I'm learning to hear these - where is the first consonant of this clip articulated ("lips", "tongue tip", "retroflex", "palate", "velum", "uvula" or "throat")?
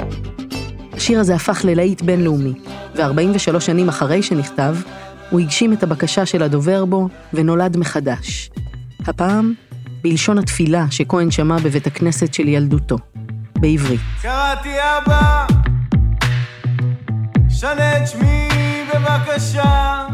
throat